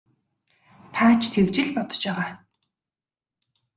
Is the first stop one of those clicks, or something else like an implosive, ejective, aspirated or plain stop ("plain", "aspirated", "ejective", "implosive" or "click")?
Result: aspirated